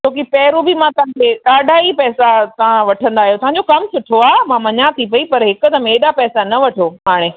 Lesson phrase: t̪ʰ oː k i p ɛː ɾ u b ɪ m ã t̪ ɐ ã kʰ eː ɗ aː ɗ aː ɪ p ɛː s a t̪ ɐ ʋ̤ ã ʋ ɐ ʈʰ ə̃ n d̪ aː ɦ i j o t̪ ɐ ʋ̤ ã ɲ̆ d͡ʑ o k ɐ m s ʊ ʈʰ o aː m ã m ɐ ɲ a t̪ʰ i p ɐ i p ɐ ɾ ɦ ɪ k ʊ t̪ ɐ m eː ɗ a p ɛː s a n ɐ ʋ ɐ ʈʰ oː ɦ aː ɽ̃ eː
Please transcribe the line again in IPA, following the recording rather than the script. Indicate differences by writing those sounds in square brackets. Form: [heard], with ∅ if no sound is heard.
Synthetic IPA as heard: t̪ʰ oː k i p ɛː ɾ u b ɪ m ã t̪ ɐ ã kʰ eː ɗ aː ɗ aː [i] p ɛː s a t̪ ɐ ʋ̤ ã ʋ ɐ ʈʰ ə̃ n d̪ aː ɦ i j o t̪ ɐ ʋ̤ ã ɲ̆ d͡ʑ o k ɐ m s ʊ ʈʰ o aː m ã m ɐ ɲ a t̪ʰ i p ɐ i p ɐ ɾ ɦ ɪ k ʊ t̪ ɐ m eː ɗ a p ɛː s a n ɐ ʋ ɐ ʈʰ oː ɦ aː ɽ̃ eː